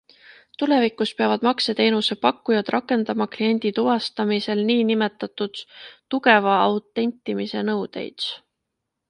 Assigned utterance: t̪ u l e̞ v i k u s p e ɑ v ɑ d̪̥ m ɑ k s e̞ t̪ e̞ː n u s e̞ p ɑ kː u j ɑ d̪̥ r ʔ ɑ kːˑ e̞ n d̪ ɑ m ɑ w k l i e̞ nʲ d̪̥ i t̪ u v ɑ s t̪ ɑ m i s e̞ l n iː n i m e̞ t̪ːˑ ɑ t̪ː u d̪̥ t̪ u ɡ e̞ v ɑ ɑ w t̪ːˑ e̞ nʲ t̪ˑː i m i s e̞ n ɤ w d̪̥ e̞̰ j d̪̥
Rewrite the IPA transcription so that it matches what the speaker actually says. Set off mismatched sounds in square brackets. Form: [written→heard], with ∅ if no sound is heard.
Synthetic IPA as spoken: t̪ u l e̞ v i k u s p e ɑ v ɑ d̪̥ m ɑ k s e̞ t̪ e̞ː n u s e̞ p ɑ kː u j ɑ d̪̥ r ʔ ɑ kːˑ e̞ n d̪ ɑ m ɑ [w→∅] k l i e̞ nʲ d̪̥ i t̪ u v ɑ s t̪ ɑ m i s e̞ l n iː n i m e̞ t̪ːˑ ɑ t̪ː u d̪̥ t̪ u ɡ e̞ v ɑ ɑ w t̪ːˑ e̞ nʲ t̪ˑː i m i s e̞ n ɤ w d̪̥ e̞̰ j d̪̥